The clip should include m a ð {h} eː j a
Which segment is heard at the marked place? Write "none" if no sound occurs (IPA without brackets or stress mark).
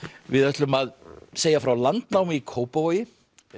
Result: s